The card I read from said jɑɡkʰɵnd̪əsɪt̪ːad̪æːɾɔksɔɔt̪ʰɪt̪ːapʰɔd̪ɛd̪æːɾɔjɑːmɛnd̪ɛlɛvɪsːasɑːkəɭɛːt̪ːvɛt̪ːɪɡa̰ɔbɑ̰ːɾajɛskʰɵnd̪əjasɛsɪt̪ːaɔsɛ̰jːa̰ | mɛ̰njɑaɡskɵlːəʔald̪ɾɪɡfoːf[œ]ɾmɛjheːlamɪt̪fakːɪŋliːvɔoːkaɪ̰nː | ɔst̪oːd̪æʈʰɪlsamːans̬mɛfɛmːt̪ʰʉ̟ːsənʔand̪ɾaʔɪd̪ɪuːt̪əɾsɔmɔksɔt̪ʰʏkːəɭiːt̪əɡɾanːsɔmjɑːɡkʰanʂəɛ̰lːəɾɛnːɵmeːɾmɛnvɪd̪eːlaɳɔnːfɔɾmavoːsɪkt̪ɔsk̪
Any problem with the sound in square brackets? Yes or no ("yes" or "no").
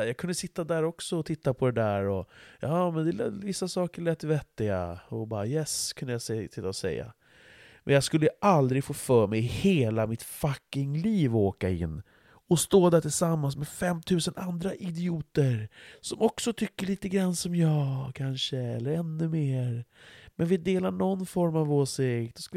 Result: yes